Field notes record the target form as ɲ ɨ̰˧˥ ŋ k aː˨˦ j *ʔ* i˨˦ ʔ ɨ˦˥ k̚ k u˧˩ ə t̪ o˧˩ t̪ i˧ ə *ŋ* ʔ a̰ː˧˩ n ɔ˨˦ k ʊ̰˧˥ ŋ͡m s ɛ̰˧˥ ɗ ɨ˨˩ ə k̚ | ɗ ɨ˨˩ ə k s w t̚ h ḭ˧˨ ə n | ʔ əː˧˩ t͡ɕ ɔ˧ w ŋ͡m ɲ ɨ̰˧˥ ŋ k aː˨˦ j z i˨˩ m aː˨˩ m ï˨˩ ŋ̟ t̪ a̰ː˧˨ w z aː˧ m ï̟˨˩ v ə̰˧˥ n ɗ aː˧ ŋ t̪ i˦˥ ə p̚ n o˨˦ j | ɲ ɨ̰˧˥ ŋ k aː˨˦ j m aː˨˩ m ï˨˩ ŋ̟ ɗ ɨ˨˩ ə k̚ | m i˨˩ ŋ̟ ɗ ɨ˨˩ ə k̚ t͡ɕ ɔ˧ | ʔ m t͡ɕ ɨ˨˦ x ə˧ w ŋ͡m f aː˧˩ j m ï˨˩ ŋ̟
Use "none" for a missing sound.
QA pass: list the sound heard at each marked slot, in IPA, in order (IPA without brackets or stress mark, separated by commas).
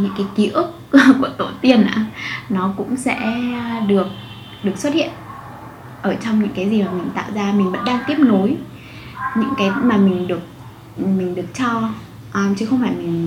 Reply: k, n